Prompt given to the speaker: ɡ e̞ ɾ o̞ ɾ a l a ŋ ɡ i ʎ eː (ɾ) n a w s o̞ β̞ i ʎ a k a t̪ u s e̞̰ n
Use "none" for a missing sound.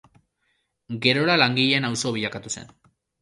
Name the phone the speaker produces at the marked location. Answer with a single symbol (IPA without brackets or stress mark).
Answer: none